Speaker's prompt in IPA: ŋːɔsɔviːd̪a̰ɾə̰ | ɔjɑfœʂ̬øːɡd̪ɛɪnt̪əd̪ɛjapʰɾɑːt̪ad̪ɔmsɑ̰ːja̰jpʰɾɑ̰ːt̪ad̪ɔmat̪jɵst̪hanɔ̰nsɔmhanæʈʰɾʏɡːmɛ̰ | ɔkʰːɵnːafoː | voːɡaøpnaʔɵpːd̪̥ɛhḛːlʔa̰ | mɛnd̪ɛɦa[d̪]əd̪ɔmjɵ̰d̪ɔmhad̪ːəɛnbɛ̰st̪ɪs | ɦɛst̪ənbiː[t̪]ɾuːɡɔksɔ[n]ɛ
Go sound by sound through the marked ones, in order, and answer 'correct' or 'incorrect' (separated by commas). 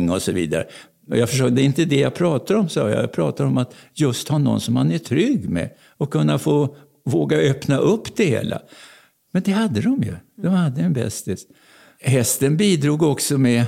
incorrect, incorrect, incorrect